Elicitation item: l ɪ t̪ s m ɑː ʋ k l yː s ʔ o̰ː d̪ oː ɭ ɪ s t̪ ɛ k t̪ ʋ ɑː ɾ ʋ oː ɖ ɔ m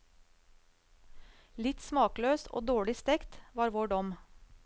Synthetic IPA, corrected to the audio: l ɪ t̪ s m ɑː k l øː s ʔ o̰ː d̪ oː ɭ ɪ s t̪ ɛ k t̪ ʋ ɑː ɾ ʋ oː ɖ ɔ m